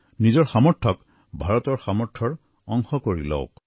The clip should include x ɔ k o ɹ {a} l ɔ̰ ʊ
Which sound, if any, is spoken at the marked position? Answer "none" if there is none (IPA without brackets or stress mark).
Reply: i